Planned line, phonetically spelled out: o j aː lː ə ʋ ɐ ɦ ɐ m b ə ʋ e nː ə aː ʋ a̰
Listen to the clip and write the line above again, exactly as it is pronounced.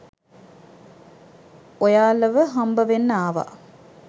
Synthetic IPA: o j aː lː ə ʋ ə ɦ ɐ m b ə ʋ e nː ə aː ʋ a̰